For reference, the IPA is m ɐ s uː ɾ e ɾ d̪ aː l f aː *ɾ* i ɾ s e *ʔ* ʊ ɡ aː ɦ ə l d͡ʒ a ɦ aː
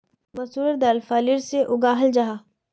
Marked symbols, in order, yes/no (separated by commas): no, yes